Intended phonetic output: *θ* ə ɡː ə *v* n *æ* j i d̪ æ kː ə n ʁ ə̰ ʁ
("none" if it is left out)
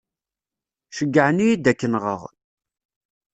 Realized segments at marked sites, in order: ʃ, ʕ, i

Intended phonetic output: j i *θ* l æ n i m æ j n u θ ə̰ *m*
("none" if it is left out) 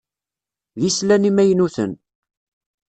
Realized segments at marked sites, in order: s, n

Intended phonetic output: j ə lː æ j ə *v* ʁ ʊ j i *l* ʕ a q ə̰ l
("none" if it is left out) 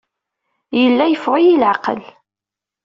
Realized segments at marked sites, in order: f, l

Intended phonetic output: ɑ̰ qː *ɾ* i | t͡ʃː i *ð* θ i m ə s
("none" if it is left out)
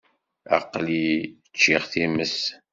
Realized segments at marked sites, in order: l, ʁ

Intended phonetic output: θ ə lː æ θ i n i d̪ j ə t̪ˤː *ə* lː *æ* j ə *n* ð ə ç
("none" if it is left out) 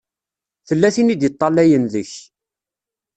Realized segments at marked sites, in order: ɑ, æ, n

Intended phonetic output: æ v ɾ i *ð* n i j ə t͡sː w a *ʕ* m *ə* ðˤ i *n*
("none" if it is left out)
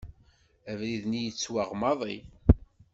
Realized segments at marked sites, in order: ð, ʁ, ɑ, none

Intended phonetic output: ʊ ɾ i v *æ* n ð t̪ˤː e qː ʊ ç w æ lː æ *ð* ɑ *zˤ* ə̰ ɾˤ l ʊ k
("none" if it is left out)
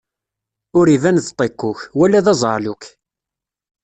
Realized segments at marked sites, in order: æ, ð, zˤ

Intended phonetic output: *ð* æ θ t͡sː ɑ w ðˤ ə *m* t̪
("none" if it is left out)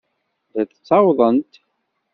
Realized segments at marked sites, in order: ð, n

